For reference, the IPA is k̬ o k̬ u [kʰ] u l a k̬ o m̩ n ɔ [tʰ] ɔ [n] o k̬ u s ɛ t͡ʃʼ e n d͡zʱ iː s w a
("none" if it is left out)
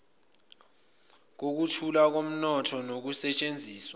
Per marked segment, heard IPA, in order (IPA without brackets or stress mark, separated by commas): tʰ, tʰ, n